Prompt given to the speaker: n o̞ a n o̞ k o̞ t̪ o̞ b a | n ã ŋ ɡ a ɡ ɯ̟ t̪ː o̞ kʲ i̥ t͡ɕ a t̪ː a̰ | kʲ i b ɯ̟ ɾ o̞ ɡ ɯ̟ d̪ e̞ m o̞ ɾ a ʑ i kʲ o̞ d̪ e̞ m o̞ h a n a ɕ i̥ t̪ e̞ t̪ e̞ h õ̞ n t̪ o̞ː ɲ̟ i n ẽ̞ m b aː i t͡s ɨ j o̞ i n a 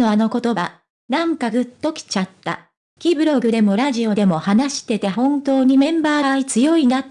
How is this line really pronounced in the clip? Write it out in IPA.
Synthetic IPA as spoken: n o̞ a n o̞ k o̞ t̪ o̞ b a | n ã ŋ k a ɡ ɯ̟ t̪ː o̞ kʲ i̥ t͡ɕ a t̪ː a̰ | kʲ i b ɯ̟ ɾ o̞ ɡ ɯ̟ d̪ e̞ m o̞ ɾ a ʑ i o̞ d̪ e̞ m o̞ h a n a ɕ i̥ t̪ e̞ t̪ e̞ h õ̞ n t̪ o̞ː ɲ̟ i m ẽ̞ m b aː i t͡s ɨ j o̞ i n a

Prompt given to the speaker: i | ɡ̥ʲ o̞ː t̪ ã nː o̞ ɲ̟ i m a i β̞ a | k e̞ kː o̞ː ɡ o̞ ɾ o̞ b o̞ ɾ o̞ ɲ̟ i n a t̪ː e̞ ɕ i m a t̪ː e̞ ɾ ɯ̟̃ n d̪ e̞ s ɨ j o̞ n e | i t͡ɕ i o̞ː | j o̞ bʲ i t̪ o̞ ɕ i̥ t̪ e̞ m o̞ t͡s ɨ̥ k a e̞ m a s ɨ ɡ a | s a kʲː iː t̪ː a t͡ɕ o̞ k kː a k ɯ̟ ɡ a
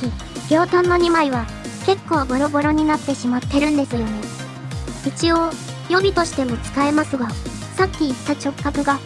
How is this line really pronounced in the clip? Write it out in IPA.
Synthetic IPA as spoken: i | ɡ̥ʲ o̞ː t̪ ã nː o̞ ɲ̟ i m a i β̞ a | k e̞ kː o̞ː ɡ o̞ ɾ o̞ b o̞ ɾ o̞ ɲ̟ i n a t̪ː e̞ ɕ i m a t̪ː e̞ ɾ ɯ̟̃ n d̪ e̞ s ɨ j o̞ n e | i t͡ɕ i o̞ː | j o̞ bʲ i t̪ o̞ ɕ i̥ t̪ e̞ m o̞ t͡s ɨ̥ k a e̞ m a s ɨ ɡ a | s a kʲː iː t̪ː a t͡ɕ o̞ k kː a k ɯ̟ ɡ a

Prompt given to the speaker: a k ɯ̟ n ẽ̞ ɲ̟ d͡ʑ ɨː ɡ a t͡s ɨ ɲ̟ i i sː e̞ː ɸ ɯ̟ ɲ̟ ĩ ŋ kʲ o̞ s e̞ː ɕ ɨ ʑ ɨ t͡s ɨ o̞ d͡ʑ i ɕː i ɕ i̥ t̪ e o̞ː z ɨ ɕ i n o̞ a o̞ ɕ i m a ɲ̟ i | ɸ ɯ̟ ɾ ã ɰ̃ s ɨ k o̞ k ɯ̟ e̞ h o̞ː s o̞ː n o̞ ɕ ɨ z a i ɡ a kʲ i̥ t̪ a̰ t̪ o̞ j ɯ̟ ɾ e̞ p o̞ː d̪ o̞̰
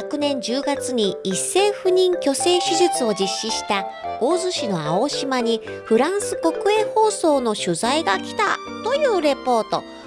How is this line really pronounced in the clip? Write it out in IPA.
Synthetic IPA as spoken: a k ɯ̟ n ẽ̞ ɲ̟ d͡ʑ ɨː ɡ a t͡s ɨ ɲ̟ i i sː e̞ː ɸ ɯ̟ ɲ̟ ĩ ŋ kʲ o̞ s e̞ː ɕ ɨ ʑ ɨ t͡s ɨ o̞ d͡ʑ i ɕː i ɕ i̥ t̪ a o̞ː z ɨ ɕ i n o̞ a o̞ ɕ i m a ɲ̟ i | ɸ ɯ̟ ɾ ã ɰ̃ s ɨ k o̞ k ɯ̟ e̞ h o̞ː s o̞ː n o̞ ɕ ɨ z a i ɡ a kʲ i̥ t̪ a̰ t̪ o̞ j ɯ̟ː ɾ e̞ p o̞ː t̪ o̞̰

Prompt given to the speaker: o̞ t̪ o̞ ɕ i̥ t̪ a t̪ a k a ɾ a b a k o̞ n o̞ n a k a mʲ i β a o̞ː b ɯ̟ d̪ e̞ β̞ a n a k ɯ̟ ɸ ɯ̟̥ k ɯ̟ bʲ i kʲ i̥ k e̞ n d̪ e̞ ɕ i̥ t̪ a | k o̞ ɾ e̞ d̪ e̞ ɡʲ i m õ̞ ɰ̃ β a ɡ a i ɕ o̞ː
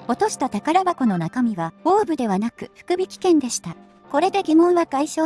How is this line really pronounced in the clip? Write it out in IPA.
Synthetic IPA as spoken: o̞ t̪ o̞ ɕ i̥ t̪ a t̪ a k a ɾ a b a k o̞ n o̞ n a k a mʲ i β a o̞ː b ɯ̟ d̪ e̞ β̞ a n a k ɯ̟ ɸ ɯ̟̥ k ɯ̟ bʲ i kʲ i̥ k ẽ̞ n d̪ e̞ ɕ i̥ t̪ a | k o̞ ɾ e̞ d̪ e̞ ɡʲ i m õ̞ ɰ̃ β a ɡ a i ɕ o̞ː

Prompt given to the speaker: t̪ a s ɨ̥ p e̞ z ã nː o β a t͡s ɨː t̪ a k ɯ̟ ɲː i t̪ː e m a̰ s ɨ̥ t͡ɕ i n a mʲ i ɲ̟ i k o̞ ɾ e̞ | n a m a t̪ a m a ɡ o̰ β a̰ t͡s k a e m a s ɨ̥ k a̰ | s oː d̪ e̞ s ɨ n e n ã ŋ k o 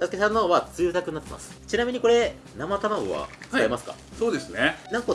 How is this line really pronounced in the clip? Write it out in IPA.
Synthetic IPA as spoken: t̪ a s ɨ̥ k e̞ s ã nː o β a t͡s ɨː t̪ a k ɯ̟ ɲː a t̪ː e m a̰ s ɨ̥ t͡ɕ i n a mʲ i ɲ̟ i k o̞ ɾ e̞ | n a m a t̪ a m a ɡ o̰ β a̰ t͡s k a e m a s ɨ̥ k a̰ | s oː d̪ e̞ s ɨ n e n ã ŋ k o

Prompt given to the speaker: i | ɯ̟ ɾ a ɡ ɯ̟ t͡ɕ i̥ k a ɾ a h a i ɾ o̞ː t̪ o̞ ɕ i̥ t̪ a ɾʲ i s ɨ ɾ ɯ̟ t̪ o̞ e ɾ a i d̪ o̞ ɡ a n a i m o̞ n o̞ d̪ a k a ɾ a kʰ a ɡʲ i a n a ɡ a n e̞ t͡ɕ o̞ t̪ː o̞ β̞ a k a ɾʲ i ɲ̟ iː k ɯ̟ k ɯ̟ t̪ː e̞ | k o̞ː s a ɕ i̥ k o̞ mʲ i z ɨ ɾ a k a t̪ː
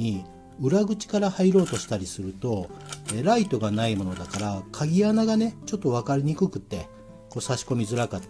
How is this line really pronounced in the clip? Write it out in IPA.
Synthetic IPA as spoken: i | ɯ̟ ɾ a ɡ ɯ̟ t͡ɕ i̥ k a ɾ a h a i ɾ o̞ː t̪ o̞ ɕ i̥ t̪ a ɾʲ i s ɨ ɾ ɯ̟ t̪ o̞ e ɾ a i t̪ o̞ ɡ a n a i m o̞ n o̞ d̪ a k a ɾ a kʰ a ɡʲ i a n a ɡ a n e̞ t͡ɕ o̞ t̪ː o̞ β̞ a k a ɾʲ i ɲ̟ i k ɯ̟ k ɯ̟ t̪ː e̞ | k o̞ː s a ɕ i̥ k o̞ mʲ i z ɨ ɾ a k a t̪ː

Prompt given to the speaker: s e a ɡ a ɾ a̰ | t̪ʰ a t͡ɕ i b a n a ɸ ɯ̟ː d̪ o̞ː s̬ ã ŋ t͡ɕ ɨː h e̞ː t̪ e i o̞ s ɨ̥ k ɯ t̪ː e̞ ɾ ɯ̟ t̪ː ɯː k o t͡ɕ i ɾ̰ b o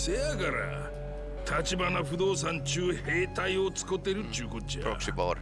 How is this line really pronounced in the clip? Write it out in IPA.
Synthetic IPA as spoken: s e a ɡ a ɾ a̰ | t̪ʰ a t͡ɕ i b a n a ɸ ɯ̟ d̪ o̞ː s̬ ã ɲ t͡ɕ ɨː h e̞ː t̪ a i o̞ t͡s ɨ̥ k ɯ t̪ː e̞ ɾ ɯ̟ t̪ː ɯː k o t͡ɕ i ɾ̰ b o

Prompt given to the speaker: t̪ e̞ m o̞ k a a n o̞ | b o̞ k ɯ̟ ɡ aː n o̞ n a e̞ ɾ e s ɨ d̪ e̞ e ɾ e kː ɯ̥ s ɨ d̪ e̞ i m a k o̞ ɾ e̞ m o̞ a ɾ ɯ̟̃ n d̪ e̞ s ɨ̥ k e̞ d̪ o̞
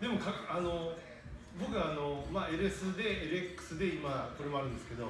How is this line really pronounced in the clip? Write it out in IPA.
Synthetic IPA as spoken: d̪ e̞ m o̞ k a a n o̞ | b o̞ k ɯ̟ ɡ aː n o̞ m a e̞ ɾ e s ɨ d̪ e̞ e ɾ e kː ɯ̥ s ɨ d̪ e̞ i m a k o̞ ɾ e̞ m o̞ a ɾ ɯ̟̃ n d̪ e̞ s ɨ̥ k e̞ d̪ o̞

